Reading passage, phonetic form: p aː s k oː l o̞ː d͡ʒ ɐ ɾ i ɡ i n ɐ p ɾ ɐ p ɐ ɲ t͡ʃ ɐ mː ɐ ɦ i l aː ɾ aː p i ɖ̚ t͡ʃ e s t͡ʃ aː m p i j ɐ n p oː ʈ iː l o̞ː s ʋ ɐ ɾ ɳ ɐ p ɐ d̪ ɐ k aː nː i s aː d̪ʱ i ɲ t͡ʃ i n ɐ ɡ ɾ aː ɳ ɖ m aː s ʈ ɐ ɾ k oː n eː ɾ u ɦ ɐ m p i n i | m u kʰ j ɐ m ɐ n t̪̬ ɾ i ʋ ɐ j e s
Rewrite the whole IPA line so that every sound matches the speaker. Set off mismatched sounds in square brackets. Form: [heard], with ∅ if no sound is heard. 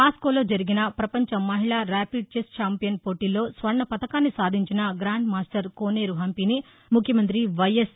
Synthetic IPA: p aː s k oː l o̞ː d͡ʒ ɐ ɾ i ɡ i n ɐ p ɾ ɐ p ɐ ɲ t͡ʃ ɐ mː ɐ ɦ i [ɭ] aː ɾ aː p i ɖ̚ t͡ʃ e s t͡ʃ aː m p i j ɐ n p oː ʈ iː l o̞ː s ʋ ɐ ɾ ɳ ɐ p ɐ [t̪] ɐ k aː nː i s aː d̪ʱ i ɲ t͡ʃ i n ɐ ɡ ɾ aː ɳ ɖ m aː s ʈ ɐ ɾ k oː n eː ɾ u ɦ ɐ m p i n i | m u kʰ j ɐ m ɐ n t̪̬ ɾ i ʋ ɐ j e s